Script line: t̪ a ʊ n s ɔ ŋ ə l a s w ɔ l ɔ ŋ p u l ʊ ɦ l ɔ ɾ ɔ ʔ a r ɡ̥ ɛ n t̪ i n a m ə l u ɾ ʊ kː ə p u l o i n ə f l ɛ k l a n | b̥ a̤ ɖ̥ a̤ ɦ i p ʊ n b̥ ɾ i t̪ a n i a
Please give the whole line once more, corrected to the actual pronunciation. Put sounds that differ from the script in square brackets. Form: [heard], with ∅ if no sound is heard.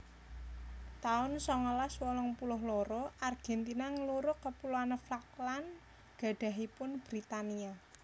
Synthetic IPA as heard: t̪ a ʊ n s ɔ ŋ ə l a s w ɔ l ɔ ŋ p u l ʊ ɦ l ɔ ɾ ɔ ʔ a r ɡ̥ ɛ n t̪ i n a [ŋ] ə l u ɾ ʊ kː ə p u l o [a] n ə f l [a] k l a n | [ɡ̥] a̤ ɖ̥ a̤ ɦ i p ʊ n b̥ ɾ i t̪ a n i a

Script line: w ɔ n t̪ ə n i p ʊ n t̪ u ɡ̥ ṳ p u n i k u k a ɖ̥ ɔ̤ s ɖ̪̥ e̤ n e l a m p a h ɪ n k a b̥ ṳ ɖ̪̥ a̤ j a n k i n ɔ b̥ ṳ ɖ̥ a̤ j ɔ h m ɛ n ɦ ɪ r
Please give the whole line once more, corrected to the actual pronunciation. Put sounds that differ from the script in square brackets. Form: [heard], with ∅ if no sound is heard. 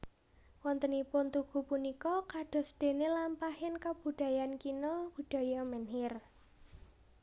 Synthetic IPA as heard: w ɔ n t̪ ə n i p ʊ n t̪ u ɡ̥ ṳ p u n i k [ɔ] k a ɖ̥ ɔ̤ s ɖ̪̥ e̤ n e l a m p a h ɪ n k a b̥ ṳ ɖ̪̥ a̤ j a n k i n ɔ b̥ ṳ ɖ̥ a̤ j ɔ [∅] m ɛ n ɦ ɪ r

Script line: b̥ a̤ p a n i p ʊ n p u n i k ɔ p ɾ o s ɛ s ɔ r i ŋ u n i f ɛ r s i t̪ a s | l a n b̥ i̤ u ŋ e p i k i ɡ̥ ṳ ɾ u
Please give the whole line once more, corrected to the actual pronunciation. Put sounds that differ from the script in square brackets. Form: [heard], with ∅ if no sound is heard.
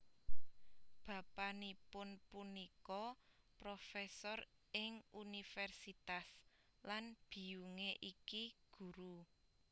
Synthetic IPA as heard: b̥ a̤ p a n i p ʊ n p u n i k ɔ p ɾ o [f] ɛ s ɔ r [ɪ] ŋ u n i f ɛ r s i t̪ a s | l a n b̥ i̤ u ŋ e [ʔ] i k i ɡ̥ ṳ ɾ u

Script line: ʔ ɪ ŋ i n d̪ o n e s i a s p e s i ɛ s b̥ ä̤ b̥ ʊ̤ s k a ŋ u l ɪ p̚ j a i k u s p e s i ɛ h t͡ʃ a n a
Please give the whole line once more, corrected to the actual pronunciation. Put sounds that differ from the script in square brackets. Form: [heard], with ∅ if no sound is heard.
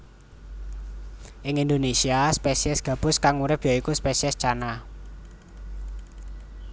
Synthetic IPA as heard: ʔ ɪ ŋ i n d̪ o n e s i a s p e s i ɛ s [ɡ̥] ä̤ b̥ ʊ̤ s k a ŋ u [ɾ] ɪ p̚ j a i k u s p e s i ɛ [s] t͡ʃ a n a

